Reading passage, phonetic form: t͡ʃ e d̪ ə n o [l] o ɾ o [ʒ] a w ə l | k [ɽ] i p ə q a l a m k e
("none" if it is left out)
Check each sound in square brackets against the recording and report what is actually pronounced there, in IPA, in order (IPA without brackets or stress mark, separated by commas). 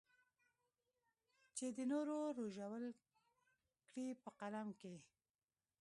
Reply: ɾ, ʒ, ɽ